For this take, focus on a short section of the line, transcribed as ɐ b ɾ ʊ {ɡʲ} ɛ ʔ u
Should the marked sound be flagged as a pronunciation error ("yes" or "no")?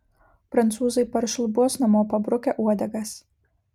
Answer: yes